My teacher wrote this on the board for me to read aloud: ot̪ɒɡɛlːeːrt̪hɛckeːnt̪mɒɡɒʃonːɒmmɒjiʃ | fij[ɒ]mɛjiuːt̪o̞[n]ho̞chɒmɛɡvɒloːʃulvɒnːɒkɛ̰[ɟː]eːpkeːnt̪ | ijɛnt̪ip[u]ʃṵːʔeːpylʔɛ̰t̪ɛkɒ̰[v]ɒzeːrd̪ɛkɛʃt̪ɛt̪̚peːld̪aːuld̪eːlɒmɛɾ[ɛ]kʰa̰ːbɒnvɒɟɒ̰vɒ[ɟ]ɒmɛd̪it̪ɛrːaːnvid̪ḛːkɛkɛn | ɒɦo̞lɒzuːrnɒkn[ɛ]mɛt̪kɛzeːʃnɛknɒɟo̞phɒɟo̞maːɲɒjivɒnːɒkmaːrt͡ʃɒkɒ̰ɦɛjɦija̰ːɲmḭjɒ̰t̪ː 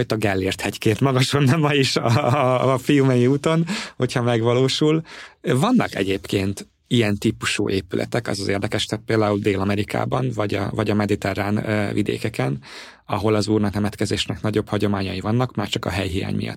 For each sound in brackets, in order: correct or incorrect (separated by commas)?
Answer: incorrect, correct, incorrect, correct, incorrect, incorrect, correct, correct